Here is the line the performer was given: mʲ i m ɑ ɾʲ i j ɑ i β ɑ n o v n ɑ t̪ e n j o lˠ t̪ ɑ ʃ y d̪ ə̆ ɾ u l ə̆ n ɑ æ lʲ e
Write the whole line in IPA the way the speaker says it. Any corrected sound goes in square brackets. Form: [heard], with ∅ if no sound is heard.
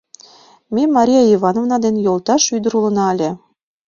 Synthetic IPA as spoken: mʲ [e] m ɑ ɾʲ i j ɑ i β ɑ n o v n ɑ [d̪] e n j o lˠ t̪ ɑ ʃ y d̪ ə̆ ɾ u l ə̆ n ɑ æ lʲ e